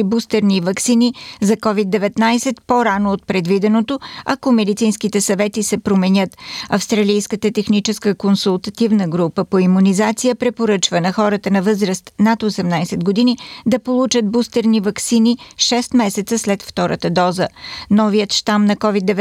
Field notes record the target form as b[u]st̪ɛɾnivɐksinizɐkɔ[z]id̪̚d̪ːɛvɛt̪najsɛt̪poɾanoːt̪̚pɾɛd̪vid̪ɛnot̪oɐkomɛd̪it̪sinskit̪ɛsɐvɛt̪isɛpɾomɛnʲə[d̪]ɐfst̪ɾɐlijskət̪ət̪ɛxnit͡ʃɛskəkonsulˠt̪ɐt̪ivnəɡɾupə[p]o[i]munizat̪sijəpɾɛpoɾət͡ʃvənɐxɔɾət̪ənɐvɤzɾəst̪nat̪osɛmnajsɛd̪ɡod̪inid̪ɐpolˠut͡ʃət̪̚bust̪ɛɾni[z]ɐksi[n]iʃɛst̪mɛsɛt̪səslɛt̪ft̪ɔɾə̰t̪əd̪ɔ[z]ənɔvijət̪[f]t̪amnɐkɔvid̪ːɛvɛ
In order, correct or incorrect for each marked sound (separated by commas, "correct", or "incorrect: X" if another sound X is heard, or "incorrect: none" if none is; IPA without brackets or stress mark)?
correct, incorrect: v, incorrect: t̪, correct, correct, incorrect: v, correct, correct, incorrect: ʃ